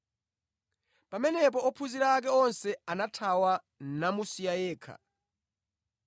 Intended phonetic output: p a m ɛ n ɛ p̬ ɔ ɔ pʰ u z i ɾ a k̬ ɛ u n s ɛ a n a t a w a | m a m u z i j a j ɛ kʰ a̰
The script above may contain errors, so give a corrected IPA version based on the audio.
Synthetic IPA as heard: p a m ɛ n ɛ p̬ ɔ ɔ pʰ u z i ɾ a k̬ ɛ ɔ n s ɛ a n a tʰ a w a | n a m u s i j a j ɛː kʰ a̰